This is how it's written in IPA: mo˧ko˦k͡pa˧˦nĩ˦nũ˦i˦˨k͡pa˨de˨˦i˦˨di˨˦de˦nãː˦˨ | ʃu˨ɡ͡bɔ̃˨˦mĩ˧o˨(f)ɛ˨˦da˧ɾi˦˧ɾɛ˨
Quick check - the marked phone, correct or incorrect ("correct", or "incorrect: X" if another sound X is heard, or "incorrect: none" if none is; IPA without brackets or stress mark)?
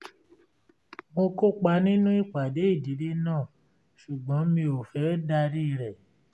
correct